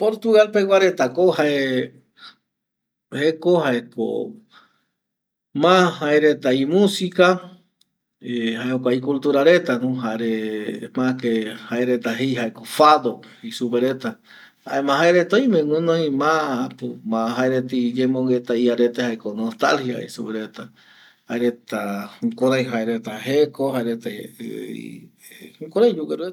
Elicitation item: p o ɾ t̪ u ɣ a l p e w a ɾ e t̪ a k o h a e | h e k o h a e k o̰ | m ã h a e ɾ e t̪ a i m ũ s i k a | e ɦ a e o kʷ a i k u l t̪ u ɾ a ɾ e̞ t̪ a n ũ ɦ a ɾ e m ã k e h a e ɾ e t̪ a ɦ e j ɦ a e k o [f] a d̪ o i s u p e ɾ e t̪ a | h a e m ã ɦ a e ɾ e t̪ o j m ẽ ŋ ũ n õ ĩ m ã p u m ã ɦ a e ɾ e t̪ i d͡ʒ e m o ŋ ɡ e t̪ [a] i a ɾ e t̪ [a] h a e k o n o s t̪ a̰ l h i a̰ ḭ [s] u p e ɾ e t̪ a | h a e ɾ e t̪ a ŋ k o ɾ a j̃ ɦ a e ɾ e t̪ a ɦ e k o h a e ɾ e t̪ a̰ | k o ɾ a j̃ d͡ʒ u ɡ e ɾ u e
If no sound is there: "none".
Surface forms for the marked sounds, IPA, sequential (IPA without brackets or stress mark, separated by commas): f, a, e, s